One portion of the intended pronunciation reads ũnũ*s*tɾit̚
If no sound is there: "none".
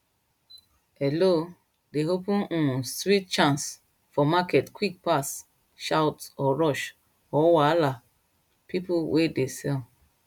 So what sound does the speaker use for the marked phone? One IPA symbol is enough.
s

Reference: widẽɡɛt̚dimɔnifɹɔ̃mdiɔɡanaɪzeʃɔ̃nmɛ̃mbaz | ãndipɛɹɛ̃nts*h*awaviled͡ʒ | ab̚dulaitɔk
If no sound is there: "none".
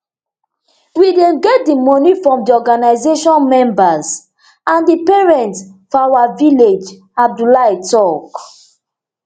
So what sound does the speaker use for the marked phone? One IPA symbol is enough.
f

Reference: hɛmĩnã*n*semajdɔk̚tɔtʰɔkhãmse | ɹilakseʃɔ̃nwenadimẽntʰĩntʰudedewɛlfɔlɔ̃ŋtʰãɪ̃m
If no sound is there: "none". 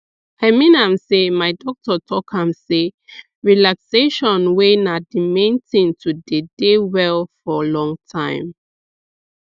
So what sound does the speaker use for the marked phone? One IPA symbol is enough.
m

